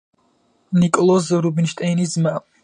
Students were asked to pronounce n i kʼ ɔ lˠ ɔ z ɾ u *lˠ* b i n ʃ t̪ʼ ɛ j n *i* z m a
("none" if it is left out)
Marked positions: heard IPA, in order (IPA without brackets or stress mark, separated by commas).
none, i